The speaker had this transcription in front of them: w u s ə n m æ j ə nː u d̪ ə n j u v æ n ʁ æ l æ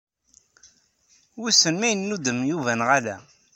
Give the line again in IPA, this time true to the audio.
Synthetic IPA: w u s ə n m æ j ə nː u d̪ ə m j u v æ n ʁ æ l æ